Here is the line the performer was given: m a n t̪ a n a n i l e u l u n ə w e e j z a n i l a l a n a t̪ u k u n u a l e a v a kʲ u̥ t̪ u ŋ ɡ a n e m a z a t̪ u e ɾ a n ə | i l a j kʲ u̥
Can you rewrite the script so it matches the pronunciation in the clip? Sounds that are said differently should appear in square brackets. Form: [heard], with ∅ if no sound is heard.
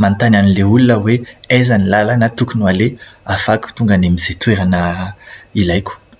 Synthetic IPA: m a n t̪ a n a n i l e u l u n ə w e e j z a n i l a l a n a t̪ u k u n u a l e a [f] a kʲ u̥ t̪ u ŋ ɡ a n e m [i] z [e] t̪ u e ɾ a n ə | i l a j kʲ u̥